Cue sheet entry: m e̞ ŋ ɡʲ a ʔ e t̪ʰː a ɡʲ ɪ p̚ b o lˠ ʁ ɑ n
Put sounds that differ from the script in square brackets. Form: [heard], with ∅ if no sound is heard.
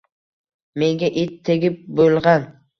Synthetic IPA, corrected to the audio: m e̞ ŋ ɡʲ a ʔ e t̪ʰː [e] ɡʲ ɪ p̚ b o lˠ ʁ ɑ n

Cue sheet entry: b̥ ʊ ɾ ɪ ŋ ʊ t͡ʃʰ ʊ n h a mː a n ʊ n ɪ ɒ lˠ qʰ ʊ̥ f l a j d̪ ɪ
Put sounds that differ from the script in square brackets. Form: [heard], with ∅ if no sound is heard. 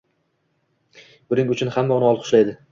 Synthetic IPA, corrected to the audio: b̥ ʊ ɾ ɪ ŋ ʊ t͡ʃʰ ʊ n h a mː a [∅] ʊ n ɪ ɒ lˠ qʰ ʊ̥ [ʃ] l a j d̪ ɪ

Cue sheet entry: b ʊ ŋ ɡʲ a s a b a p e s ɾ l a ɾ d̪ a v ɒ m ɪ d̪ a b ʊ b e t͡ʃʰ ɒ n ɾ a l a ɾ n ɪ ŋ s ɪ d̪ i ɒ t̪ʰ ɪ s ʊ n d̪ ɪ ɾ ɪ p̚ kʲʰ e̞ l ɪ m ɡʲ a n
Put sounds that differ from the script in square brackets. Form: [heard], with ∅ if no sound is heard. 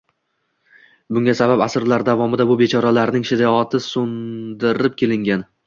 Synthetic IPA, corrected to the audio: b ʊ ŋ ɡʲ a s a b a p [a] s ɾ l a ɾ d̪ a v ɒ m ɪ d̪ a b ʊ b e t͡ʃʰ ɒ [∅] ɾ a l a ɾ n ɪ ŋ [ʃ] ɪ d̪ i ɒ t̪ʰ ɪ s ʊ n d̪ ɪ ɾ ɪ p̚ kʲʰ e̞ l ɪ [ŋ] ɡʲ a n

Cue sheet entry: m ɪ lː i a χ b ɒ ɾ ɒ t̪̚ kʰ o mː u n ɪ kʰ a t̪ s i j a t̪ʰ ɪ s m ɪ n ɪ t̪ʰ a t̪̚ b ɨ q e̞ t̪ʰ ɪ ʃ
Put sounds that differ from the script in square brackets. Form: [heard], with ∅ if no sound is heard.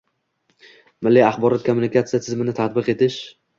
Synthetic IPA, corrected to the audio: m ɪ lː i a χ b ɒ ɾ ɒ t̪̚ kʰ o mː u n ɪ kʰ a t̪ s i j a t̪ʰ ɪ [z] m ɪ n ɪ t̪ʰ a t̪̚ b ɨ q e̞ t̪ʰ ɪ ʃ

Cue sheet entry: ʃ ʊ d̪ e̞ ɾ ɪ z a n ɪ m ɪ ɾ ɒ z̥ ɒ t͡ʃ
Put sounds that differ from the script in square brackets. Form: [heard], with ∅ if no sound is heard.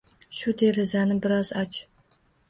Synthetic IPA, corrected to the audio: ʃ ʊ d̪ e̞ ɾ ɪ z a n ɪ [b] ɪ ɾ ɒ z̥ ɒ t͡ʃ

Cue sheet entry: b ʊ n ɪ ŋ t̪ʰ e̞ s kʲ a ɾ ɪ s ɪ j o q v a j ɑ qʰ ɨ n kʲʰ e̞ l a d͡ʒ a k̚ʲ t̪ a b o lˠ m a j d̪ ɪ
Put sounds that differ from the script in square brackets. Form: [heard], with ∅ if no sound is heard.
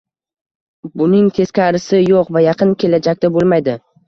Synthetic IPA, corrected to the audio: b ʊ n ɪ ŋ t̪ʰ e̞ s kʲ a ɾ ɪ s ɪ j o q v a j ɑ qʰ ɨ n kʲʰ e̞ l a d͡ʒ a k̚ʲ t̪ a b o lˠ m a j d̪ ɪ

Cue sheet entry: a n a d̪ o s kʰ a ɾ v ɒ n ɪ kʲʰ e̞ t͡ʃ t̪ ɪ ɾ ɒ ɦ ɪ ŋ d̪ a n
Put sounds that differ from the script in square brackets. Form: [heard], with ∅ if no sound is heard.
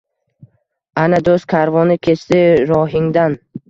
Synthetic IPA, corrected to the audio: a n a d̪ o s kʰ a ɾ v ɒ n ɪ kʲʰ e̞ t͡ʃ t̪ ɪ ɾ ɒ ɦ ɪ ŋ d̪ a n

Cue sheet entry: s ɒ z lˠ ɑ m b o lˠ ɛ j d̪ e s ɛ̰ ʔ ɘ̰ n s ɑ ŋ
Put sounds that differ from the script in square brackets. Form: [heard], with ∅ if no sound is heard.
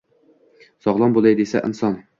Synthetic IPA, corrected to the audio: s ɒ [ʁ] lˠ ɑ m b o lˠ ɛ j d̪ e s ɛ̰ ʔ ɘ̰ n s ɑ [n]

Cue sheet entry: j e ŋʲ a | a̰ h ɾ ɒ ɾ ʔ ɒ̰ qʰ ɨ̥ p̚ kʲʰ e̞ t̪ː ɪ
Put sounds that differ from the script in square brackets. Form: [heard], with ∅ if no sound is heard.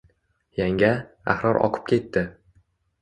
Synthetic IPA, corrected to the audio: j [a] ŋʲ a | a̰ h ɾ ɒ ɾ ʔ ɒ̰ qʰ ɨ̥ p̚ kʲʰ e̞ t̪ː ɪ

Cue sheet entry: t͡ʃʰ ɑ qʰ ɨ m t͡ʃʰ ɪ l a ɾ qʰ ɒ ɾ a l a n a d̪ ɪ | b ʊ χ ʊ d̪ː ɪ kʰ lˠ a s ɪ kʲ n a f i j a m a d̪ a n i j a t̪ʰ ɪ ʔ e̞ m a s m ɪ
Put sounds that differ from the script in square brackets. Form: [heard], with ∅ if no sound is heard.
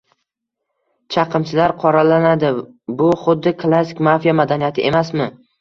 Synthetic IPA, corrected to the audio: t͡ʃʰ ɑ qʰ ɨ m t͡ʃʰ ɪ l a ɾ qʰ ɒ ɾ a l a n a d̪ ɪ | b ʊ χ ʊ d̪ː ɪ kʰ lˠ a s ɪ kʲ [m] a f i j a m a d̪ a n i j a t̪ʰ ɪ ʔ e̞ m a s m ɪ

